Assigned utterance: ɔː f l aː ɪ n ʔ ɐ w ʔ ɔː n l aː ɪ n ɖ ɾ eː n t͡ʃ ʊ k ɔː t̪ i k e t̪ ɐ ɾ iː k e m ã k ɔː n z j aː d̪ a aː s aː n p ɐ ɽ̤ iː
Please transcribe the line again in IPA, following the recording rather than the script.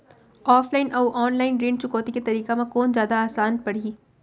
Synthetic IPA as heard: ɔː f l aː ɪ n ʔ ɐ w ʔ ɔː n l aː ɪ n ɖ ɾ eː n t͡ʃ ʊ k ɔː t̪ i k e t̪ ɐ ɾ iː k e m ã k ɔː n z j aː d̪ a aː s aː n p ɐ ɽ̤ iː